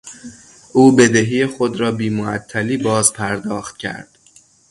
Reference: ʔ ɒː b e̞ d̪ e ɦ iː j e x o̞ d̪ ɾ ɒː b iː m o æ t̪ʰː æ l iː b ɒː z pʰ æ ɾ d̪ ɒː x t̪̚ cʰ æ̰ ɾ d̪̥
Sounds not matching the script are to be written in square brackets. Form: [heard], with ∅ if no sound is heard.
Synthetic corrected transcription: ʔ [uː] b e̞ d̪ e ɦ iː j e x o̞ d̪ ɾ ɒː b iː m o æ t̪ʰː æ l iː b ɒː z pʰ æ ɾ d̪ ɒː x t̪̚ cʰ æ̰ ɾ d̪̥